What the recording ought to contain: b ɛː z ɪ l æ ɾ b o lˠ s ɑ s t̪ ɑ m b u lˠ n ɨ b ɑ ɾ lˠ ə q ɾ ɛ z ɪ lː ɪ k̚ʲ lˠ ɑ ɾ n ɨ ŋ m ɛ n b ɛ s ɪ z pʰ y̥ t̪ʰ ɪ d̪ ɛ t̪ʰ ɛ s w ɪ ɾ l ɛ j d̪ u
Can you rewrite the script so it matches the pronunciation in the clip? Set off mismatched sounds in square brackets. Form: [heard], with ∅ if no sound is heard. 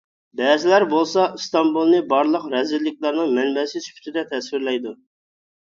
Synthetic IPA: b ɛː z ɪ l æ ɾ b o lˠ s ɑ s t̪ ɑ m b u lˠ n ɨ b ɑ ɾ lˠ ə q ɾ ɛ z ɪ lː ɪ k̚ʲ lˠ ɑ ɾ n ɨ ŋ m ɛ n b ɛ s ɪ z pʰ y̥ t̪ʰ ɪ d̪ ɛ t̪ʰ ɛ s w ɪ ɾ l ɛ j d̪ u